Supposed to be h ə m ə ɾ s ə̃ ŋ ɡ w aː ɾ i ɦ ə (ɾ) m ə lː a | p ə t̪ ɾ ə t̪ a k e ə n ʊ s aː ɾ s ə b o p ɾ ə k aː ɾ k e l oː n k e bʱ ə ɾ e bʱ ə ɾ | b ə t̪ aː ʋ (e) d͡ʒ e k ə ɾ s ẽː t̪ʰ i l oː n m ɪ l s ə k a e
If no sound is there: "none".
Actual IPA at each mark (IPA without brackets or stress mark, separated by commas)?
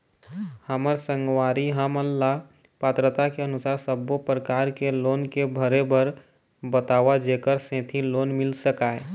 none, a